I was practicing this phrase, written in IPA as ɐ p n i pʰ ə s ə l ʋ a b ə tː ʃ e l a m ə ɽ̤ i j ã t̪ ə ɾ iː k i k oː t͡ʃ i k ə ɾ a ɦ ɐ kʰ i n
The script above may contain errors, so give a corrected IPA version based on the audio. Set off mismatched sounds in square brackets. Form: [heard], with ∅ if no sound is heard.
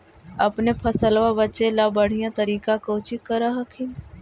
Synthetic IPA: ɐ p n [e] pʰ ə s ə l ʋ a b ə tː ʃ e l a [b] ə ɽ̤ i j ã t̪ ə ɾ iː k [a] k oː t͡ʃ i k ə ɾ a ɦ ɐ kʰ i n